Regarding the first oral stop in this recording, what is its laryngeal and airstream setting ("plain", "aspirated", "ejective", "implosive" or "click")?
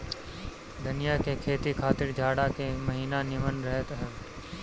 plain